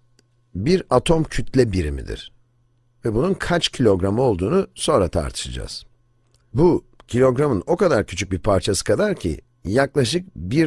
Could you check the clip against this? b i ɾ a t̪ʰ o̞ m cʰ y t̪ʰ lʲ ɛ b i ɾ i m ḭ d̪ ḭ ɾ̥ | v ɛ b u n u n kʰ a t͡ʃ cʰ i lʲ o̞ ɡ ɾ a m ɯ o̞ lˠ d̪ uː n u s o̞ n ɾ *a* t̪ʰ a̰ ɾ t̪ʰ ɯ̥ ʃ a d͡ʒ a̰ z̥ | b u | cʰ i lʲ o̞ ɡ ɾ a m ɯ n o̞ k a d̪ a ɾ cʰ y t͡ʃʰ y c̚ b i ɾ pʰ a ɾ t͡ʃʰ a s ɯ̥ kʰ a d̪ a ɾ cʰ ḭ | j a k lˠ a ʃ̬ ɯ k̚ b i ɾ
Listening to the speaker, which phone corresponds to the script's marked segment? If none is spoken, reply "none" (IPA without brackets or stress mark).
a